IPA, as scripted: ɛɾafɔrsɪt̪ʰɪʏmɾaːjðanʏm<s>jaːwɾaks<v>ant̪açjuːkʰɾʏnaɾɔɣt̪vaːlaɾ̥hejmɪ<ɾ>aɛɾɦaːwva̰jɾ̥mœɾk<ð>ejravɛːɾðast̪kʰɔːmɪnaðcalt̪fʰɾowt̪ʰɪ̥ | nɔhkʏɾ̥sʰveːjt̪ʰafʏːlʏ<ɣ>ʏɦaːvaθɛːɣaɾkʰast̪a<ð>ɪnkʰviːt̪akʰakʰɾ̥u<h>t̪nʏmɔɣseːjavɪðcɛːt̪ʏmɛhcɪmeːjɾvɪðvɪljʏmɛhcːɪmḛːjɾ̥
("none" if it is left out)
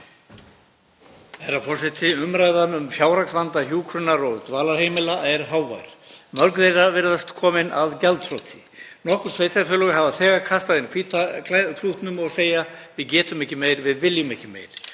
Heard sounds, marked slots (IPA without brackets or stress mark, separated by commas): f, v, l, ð, ɣ, ð, h